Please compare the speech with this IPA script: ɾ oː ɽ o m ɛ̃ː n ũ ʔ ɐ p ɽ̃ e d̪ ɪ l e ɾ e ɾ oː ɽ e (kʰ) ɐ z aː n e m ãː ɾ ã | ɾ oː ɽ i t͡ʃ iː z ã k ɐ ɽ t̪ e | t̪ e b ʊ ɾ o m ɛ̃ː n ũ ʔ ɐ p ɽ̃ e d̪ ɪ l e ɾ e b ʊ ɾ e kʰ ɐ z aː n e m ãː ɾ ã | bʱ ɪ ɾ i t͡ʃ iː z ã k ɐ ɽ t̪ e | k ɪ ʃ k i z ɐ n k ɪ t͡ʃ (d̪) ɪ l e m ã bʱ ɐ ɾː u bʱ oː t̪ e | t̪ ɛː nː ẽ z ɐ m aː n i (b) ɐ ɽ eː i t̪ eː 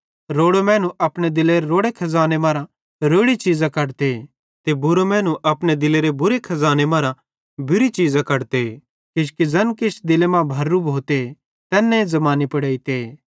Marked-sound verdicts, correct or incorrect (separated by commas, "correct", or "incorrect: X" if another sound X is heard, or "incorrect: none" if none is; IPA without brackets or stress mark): correct, correct, incorrect: p